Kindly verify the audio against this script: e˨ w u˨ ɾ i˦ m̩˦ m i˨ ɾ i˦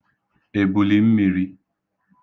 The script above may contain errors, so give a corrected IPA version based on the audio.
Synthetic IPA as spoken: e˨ b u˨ l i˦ m̩˦ m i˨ ɾ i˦